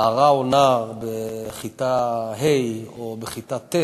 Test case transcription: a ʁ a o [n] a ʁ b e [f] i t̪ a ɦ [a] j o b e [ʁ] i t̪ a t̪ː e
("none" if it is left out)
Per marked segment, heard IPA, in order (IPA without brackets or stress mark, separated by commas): n, χ, e, χ